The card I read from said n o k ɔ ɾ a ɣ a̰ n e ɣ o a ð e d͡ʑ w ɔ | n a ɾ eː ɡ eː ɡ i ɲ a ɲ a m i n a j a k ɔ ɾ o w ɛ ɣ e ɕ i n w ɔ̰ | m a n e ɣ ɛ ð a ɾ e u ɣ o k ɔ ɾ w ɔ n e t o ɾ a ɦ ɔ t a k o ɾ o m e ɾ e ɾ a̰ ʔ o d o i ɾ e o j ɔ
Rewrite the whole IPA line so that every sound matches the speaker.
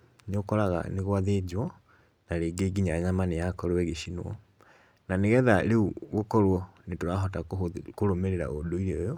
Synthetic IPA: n o k ɔ ɾ a ɣ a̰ n e ɣ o a ð e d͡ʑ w ɔ | n a ɾ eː ɡ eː ɡ i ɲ a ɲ a m a n e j a k ɔ ɾ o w ɛ ɣ e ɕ i n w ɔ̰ | n a n e ɣ ɛ ð a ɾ e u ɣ o k ɔ ɾ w ɔ n e t o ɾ a ɦ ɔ t a k o ɾ o m e ɾ e ɾ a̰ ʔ o d o i ɾ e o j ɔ